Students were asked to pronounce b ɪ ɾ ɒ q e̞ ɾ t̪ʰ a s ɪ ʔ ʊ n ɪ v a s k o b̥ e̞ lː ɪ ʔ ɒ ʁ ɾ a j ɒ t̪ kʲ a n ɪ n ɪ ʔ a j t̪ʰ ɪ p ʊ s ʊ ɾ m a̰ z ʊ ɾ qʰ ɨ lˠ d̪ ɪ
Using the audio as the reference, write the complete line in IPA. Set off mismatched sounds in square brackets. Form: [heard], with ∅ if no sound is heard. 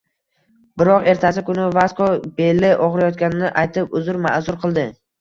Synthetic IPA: b ɪ ɾ ɒ q e̞ ɾ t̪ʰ a s ɪ [k] ʊ n ɪ v a s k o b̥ e̞ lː ɪ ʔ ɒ ʁ ɾ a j ɒ t̪ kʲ a n ɪ n ɪ ʔ a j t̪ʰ ɪ p ʊ [z] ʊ ɾ m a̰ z ʊ ɾ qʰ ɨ lˠ d̪ ɪ